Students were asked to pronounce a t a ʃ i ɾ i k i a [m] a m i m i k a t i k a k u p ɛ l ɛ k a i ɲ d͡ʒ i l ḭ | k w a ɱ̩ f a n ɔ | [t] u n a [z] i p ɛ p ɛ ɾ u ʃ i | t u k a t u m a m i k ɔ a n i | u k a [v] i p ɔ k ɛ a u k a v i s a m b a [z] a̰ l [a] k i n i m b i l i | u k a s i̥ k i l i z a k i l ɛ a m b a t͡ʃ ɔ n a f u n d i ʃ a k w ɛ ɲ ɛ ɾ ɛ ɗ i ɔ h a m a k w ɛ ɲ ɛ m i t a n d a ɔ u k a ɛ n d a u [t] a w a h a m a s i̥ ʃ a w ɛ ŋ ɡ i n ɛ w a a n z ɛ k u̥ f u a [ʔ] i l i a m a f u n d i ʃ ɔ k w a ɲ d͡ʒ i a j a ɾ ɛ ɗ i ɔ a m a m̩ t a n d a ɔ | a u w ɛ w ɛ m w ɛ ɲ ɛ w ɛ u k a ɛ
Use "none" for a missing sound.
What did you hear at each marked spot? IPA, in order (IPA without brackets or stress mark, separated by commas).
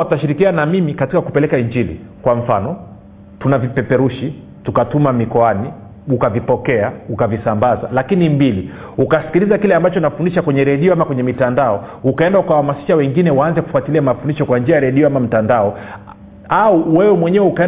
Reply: n, t, v, v, z, a, k, t